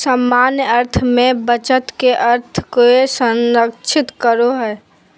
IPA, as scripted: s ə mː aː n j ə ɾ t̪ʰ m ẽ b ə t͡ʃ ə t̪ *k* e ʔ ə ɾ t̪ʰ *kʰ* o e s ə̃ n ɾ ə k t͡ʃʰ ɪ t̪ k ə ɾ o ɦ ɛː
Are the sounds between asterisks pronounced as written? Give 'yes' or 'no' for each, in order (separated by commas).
yes, no